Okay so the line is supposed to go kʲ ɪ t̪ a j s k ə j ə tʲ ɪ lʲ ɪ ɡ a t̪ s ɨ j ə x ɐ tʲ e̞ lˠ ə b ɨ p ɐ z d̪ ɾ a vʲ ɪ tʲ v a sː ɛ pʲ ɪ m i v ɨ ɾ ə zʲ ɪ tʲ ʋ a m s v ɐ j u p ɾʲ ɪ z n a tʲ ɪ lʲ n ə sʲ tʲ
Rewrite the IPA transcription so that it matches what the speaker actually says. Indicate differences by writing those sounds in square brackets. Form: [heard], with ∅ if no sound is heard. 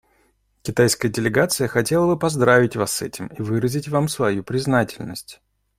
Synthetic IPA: kʲ ɪ t̪ a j s k ə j ə [dʲ] ɪ lʲ ɪ ɡ a t̪ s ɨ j ə x ɐ tʲ e̞ lˠ ə b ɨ p ɐ z d̪ ɾ a vʲ ɪ tʲ v a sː ɛ [tʲ] ɪ m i v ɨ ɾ ə zʲ ɪ tʲ [v] a m s v ɐ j u p ɾʲ ɪ z n a tʲ ɪ lʲ n ə sʲ tʲ

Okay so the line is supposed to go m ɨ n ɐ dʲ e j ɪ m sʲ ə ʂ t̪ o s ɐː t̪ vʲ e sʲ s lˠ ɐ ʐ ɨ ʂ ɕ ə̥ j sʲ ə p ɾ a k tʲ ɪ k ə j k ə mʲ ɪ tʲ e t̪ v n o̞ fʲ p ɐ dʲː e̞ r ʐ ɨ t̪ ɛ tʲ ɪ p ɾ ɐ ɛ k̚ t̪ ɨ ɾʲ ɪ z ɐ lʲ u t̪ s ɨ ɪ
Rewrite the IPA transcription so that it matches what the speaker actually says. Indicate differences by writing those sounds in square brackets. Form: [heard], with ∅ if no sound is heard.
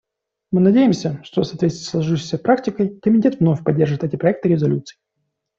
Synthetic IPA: m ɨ n ɐ dʲ e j ɪ m sʲ ə ʂ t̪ o s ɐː t̪ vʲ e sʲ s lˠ ɐ ʐ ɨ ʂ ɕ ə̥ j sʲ ə p ɾ a k tʲ ɪ k ə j k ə mʲ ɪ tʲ e t̪ v n o̞ fʲ p ɐ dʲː e̞ r ʐ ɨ t̪ ɛ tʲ ɪ p ɾ ɐ ɛ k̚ t̪ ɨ ɾʲ ɪ z ɐ lʲ u t̪ s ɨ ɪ

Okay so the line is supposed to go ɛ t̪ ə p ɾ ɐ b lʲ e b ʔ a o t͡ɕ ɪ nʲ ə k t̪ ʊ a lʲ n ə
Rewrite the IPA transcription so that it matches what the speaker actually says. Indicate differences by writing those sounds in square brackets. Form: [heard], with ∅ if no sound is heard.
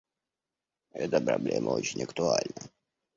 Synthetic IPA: ɛ t̪ ə p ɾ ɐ b lʲ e [m] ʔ [ə] o t͡ɕ ɪ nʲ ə k t̪ ʊ a lʲ n ə

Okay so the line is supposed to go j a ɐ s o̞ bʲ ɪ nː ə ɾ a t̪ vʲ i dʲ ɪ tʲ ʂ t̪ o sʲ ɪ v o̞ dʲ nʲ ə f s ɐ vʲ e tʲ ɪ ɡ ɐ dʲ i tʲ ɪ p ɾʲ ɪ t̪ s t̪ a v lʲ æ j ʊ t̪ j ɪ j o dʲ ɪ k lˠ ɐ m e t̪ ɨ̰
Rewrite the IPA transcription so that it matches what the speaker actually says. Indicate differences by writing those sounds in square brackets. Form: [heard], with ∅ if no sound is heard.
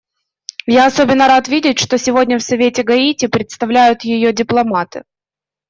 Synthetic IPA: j a ɐ s o̞ bʲ ɪ nː ə ɾ a t̪ vʲ i dʲ ɪ tʲ ʂ t̪ o sʲ ɪ v o̞ dʲ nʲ ə f s ɐ vʲ e tʲ ɪ ɡ ɐ [∅] i tʲ ɪ p ɾʲ ɪ t̪ s t̪ [ɐ] v lʲ æ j ʊ t̪ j ɪ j o dʲ ɪ [p] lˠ ɐ m [a] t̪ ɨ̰

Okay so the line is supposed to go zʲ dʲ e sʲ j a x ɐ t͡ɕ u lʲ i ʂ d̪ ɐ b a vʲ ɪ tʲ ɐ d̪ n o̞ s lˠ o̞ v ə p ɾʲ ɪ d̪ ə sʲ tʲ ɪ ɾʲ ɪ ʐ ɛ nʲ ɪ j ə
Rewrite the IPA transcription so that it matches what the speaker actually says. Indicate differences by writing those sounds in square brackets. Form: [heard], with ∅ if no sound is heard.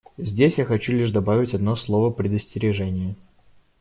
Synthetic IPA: zʲ dʲ e sʲ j a x ɐ t͡ɕ u lʲ i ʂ d̪ ɐ b a vʲ ɪ tʲ ɐ d̪ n o̞ s lˠ o̞ v ə p ɾʲ ɪ d̪ ə sʲ tʲ ɪ ɾʲ ɪ ʐ ɛ nʲ ɪ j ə

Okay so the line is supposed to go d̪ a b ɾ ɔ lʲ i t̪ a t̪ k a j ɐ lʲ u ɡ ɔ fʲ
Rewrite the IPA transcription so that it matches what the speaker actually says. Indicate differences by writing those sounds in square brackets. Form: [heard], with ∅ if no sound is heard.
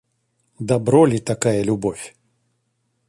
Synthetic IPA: d̪ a b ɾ ɔ lʲ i t̪ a [∅] k a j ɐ lʲ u [b] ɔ fʲ

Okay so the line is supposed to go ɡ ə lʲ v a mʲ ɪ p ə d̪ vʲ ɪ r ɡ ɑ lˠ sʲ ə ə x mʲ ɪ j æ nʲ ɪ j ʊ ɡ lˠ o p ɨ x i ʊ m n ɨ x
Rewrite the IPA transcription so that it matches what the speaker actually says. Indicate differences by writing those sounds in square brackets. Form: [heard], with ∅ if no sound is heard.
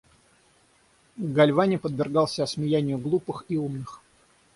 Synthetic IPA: ɡ [ɐ] lʲ v a [nʲ] ɪ p ə d̪ vʲ ɪ r ɡ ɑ lˠ sʲ ə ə [s] mʲ ɪ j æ nʲ ɪ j ʊ ɡ lˠ [u] p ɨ x i [u] m n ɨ x

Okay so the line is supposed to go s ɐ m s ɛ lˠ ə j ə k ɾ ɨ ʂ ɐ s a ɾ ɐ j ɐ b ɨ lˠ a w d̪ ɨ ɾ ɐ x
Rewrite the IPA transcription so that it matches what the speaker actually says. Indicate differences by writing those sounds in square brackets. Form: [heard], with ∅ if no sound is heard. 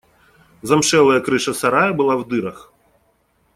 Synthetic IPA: [z] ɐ m [ʂ] ɛ lˠ [ɐ] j [ɐ] k ɾ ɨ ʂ ɐ s a ɾ [a] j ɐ b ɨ lˠ a w d̪ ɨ ɾ ɐ x

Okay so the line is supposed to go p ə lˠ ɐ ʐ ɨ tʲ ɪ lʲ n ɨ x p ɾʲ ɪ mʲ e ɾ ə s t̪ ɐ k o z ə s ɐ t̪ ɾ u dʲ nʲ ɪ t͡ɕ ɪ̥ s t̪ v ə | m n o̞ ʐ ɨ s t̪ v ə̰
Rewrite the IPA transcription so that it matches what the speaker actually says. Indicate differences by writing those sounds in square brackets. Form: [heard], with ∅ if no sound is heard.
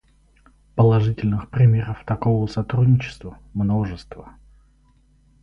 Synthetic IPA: p ə lˠ ɐ ʐ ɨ tʲ ɪ lʲ n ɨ x p ɾʲ ɪ mʲ e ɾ ə [f] t̪ ɐ k o [v] ə s ɐ t̪ ɾ u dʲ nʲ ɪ t͡ɕ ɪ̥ s t̪ v ə | m n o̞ ʐ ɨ s t̪ v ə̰

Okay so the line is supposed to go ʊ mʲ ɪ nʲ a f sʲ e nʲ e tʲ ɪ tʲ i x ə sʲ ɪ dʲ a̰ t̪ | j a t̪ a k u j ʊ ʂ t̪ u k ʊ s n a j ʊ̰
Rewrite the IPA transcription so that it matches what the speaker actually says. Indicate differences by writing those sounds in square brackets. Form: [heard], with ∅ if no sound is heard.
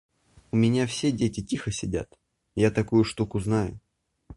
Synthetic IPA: ʊ mʲ ɪ nʲ a f sʲ e [dʲ] e tʲ ɪ tʲ i x ə sʲ ɪ dʲ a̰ t̪ | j a t̪ [ɐ] k u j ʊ ʂ t̪ u k ʊ [z] n a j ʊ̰

